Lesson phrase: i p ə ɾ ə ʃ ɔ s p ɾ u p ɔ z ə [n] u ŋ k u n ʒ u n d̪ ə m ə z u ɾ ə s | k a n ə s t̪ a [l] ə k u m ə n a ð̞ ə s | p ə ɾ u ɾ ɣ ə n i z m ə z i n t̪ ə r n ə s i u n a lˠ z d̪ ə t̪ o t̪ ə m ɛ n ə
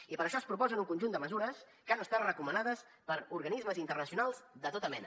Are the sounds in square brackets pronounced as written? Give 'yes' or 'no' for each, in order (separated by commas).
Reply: yes, no